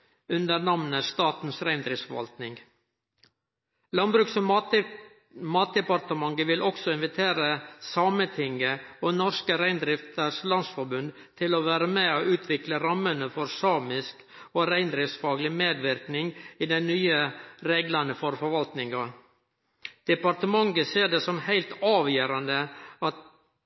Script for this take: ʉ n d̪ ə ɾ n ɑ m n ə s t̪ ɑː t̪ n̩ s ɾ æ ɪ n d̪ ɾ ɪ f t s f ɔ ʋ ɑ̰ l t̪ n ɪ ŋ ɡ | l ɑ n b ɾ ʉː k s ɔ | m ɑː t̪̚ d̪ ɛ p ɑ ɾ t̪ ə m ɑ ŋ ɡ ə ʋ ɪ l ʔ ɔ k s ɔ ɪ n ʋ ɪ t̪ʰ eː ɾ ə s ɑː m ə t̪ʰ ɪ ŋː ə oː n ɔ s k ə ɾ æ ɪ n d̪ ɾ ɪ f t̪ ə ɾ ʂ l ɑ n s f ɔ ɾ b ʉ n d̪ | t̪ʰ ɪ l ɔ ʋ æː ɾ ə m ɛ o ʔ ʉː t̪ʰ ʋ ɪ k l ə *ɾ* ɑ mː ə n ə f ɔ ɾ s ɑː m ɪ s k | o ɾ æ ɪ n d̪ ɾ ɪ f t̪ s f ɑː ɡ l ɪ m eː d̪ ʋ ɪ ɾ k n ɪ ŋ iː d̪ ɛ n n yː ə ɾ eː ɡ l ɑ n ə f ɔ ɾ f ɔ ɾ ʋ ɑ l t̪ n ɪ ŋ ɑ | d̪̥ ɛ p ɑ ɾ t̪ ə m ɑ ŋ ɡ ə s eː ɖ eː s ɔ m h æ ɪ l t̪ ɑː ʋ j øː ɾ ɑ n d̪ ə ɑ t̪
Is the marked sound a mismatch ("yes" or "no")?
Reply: no